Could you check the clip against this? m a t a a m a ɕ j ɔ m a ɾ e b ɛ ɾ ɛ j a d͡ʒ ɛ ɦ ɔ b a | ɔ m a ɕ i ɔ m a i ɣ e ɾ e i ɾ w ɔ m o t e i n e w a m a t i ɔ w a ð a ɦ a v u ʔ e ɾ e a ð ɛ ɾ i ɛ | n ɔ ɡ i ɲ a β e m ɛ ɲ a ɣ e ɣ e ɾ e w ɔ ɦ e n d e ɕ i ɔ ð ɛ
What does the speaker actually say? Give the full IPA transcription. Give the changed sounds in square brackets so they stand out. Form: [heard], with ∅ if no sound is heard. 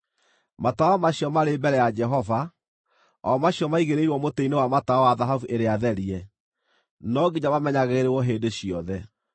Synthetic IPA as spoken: m a t a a m a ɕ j ɔ m a ɾ e b ɛ ɾ ɛ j a d͡ʒ ɛ ɦ ɔ [v] a | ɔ m a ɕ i ɔ m a i ɣ e ɾ e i ɾ w ɔ m o t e i n e w a m a t [a] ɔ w a ð a ɦ a v u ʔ e ɾ e a ð ɛ ɾ i ɛ | n ɔ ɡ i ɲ a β [a] m ɛ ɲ a ɣ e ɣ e ɾ e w ɔ ɦ e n d e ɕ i ɔ ð ɛ